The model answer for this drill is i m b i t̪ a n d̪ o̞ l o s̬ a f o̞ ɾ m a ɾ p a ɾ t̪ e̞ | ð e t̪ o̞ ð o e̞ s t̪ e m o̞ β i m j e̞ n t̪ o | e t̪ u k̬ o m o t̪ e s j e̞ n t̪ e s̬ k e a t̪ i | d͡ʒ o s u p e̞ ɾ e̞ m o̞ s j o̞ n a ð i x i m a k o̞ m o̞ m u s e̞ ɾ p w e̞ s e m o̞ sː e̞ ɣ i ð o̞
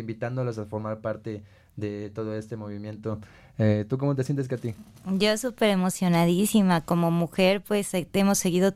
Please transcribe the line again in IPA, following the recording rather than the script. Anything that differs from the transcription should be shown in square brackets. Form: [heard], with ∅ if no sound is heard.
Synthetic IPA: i m b i t̪ a n d̪ o̞ l o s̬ a f o̞ ɾ m a ɾ p a ɾ t̪ e̞ | ð e t̪ o̞ ð o e̞ s t̪ e m o̞ β i m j e̞ n t̪ o | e t̪ u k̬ o m o t̪ e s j e̞ n t̪ e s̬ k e a t̪ i | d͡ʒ o s u p e̞ ɾ e̞ m o̞ s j o̞ n a ð i [s] i m a k o̞ m o̞ m u [x] e̞ ɾ p w e̞ s e m o̞ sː e̞ ɣ i ð o̞